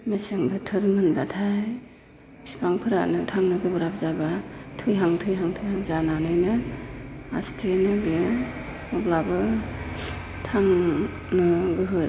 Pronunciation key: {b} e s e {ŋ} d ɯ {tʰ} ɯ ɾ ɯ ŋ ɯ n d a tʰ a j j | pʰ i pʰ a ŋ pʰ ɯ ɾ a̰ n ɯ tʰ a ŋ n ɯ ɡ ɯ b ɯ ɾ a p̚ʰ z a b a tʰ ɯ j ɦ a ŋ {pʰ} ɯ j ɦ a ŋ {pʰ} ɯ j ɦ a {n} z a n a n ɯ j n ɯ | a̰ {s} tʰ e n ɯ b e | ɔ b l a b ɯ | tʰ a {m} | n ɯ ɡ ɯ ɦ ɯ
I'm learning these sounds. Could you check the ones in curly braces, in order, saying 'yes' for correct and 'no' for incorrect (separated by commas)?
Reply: no, yes, yes, no, no, no, yes, no